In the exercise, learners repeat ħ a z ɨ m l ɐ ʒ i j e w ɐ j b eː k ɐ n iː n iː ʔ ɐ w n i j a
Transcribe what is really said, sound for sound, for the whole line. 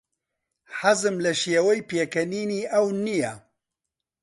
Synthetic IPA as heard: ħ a z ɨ m l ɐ ʃ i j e w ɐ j p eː k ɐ n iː n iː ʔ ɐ w n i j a